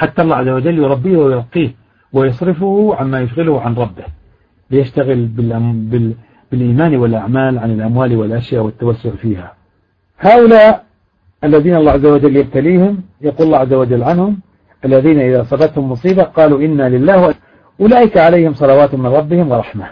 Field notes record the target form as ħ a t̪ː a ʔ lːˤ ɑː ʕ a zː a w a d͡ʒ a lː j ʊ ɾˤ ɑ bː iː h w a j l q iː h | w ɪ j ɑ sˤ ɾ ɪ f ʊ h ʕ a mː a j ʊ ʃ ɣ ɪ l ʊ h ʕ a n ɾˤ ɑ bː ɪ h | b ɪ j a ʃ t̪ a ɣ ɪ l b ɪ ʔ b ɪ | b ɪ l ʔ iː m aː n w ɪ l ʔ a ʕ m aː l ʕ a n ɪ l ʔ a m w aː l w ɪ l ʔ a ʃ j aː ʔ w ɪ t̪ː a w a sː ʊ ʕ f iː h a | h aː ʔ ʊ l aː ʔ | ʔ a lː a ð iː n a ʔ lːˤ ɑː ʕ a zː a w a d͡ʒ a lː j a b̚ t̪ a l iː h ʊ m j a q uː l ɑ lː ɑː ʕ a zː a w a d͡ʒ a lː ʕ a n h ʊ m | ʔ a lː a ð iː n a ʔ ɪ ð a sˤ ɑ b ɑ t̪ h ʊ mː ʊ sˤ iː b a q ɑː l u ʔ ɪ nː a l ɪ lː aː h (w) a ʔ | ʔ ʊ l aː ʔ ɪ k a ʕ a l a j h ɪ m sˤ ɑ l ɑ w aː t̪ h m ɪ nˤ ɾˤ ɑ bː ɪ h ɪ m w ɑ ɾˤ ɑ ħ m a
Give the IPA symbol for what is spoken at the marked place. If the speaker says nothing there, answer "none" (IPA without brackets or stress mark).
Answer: w